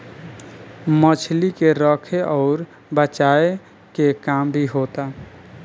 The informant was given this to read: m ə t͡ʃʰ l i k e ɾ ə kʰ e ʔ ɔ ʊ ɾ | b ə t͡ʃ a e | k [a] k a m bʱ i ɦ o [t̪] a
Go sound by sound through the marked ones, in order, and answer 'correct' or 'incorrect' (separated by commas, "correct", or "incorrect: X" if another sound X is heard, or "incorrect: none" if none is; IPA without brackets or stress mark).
incorrect: e, correct